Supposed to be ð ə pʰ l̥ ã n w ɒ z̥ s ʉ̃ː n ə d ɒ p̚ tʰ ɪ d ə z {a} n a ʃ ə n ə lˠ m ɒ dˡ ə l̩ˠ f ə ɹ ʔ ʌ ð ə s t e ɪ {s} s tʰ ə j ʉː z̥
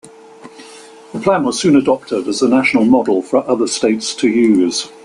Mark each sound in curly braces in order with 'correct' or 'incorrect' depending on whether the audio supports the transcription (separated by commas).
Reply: incorrect, incorrect